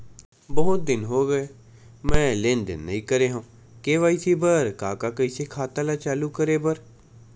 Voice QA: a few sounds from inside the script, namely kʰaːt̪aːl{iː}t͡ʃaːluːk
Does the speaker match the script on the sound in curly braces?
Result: no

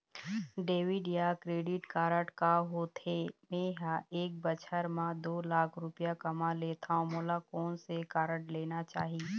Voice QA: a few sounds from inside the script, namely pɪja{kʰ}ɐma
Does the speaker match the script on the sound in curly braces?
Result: no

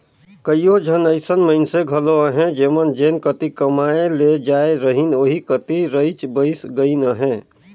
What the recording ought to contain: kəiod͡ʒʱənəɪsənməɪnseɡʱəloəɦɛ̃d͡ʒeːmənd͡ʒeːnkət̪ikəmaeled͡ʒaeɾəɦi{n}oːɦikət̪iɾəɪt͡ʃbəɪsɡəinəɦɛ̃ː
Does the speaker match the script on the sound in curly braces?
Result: yes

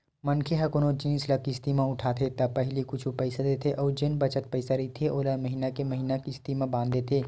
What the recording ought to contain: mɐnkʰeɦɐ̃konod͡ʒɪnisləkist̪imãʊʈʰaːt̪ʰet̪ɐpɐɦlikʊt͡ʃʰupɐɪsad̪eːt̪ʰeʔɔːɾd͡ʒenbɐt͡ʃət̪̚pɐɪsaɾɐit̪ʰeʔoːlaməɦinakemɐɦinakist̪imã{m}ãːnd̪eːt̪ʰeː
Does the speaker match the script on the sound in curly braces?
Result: no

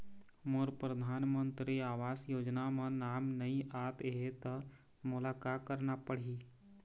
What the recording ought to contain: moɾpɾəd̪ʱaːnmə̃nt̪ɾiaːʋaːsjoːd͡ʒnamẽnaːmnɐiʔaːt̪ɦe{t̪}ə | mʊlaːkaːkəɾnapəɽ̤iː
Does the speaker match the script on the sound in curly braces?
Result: yes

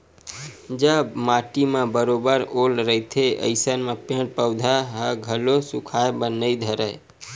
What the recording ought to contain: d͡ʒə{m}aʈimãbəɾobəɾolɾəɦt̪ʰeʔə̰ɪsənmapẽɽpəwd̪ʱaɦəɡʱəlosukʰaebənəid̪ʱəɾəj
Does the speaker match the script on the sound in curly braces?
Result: yes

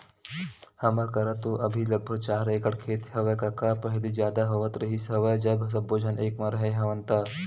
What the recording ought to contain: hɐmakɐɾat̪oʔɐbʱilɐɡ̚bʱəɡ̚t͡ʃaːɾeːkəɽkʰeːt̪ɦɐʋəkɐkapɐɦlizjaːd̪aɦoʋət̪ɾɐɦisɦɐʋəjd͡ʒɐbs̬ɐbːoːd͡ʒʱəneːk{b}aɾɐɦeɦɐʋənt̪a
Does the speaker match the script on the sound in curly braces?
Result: no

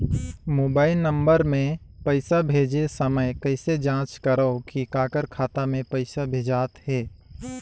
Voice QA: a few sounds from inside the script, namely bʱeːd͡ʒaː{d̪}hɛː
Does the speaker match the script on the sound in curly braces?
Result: no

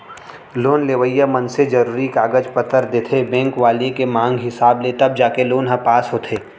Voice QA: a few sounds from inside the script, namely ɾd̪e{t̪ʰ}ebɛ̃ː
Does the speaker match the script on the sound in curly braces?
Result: yes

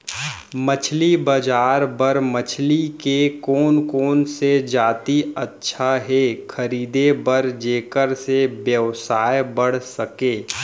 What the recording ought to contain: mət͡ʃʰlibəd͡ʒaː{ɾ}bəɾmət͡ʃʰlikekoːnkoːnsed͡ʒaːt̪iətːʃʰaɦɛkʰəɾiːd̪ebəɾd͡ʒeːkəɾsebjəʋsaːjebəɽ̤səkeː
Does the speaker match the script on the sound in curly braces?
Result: yes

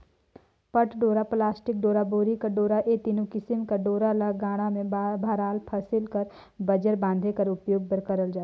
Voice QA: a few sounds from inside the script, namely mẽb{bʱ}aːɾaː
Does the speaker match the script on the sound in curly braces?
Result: yes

